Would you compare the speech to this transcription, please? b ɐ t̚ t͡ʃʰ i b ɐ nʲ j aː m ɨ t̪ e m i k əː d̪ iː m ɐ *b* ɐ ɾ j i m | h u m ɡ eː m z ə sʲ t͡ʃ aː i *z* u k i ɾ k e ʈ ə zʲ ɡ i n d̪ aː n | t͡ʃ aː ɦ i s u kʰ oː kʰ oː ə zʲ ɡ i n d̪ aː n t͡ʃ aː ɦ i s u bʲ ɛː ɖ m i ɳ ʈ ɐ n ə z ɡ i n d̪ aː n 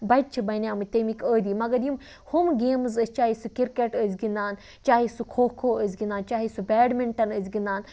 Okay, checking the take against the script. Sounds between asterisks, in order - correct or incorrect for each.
incorrect, incorrect

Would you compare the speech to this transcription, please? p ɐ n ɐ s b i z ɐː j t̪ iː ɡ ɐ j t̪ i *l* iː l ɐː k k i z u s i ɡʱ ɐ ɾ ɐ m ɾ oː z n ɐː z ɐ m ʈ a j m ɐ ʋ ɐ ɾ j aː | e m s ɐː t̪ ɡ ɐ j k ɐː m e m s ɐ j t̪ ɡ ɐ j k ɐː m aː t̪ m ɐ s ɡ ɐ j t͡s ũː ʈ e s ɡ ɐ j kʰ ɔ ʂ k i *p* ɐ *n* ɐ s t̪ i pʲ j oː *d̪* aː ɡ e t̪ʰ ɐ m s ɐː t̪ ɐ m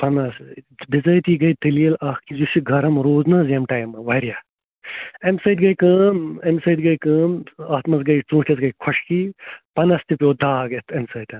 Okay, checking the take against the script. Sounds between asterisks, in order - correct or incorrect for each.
correct, correct, correct, correct

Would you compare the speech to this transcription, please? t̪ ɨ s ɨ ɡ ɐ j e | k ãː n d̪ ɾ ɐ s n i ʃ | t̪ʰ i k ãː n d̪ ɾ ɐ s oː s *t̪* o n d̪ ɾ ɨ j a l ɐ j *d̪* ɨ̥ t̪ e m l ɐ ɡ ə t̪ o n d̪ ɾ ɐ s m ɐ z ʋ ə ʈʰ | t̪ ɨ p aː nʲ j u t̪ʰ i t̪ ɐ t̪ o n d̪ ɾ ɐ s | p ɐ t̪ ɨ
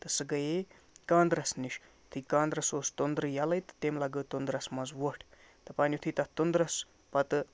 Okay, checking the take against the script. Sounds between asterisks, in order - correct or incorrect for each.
correct, incorrect

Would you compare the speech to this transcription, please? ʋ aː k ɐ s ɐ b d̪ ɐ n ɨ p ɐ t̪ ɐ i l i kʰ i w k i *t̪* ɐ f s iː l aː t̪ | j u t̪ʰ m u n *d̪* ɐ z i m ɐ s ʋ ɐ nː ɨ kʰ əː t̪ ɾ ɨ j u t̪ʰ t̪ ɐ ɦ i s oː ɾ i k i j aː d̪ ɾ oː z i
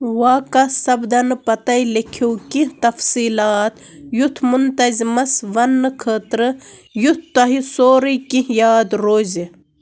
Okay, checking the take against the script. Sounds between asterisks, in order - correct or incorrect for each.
correct, incorrect

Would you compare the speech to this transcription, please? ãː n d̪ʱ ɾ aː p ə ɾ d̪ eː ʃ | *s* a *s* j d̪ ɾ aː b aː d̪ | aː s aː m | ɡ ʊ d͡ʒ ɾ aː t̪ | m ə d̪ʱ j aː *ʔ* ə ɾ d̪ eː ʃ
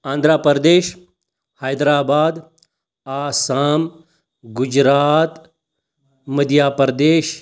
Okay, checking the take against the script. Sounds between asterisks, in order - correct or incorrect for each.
incorrect, incorrect, incorrect

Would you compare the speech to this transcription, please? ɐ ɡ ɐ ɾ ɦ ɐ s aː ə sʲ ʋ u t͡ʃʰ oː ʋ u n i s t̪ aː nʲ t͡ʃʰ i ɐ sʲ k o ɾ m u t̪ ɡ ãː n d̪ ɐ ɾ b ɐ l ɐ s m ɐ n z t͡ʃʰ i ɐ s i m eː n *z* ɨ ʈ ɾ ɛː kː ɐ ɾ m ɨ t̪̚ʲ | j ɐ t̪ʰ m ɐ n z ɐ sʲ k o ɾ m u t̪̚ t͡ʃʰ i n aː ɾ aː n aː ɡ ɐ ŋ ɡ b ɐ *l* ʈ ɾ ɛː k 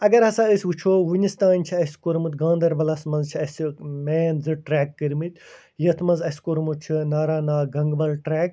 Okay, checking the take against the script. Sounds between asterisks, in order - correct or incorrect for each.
correct, correct

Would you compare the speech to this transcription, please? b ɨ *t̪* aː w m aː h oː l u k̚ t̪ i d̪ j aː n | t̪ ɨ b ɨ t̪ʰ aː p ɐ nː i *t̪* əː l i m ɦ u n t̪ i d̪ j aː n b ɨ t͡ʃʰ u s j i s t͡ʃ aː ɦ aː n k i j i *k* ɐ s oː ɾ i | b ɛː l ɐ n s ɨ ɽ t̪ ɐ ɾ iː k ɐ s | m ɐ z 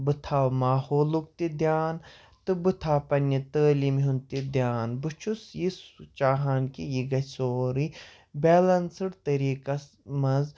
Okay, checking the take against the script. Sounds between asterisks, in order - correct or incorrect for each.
incorrect, correct, incorrect

